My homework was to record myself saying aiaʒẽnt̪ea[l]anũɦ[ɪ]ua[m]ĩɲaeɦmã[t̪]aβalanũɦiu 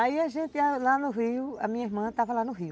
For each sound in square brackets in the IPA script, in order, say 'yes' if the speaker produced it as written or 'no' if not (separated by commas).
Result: yes, no, yes, yes